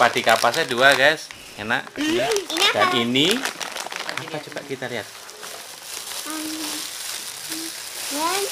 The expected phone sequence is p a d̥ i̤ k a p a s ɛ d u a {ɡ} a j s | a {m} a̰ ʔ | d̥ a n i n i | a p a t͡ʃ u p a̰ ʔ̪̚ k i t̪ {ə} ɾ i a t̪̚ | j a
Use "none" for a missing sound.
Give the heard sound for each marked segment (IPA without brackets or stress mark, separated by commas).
ɡ, n, a